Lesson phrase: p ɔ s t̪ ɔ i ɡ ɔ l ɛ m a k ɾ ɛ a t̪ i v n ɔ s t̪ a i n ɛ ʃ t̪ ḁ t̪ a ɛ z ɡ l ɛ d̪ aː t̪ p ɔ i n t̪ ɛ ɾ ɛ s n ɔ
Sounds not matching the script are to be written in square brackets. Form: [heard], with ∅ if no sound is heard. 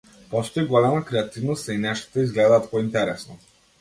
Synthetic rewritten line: p ɔ s t̪ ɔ i ɡ ɔ l ɛ m a k ɾ ɛ a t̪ i v n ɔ s t̪ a i n ɛ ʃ t̪ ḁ t̪ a [i] z ɡ l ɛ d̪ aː t̪ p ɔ i n t̪ ɛ ɾ ɛ s n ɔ